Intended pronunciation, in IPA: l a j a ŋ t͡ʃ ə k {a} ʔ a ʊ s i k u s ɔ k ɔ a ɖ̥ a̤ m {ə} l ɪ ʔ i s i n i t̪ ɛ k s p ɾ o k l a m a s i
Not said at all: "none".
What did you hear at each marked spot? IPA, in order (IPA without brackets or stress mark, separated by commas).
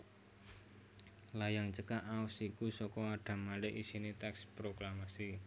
a, a